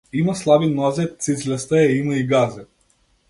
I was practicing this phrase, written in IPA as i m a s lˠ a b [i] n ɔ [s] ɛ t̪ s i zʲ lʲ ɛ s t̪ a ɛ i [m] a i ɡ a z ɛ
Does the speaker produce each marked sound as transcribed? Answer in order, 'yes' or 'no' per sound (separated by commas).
yes, no, yes